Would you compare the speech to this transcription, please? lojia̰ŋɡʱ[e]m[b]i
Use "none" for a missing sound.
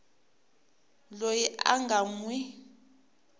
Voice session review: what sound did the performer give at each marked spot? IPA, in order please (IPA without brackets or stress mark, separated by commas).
a, w